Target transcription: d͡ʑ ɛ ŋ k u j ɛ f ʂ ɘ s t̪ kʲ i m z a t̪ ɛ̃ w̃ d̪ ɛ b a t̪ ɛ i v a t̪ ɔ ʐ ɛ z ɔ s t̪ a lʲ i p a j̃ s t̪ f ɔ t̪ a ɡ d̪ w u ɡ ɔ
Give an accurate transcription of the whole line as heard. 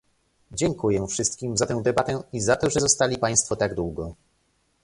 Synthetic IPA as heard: d͡ʑ ɛ ŋ k u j ɛ f ʂ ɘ s t̪ kʲ i m z a t̪ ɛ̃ w̃ d̪ ɛ b a t̪ ɛ i z a t̪ ɔ ʐ ɛ z ɔ s t̪ a lʲ i p a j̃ s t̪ f ɔ t̪ a ɡ d̪ w u ɡ ɔ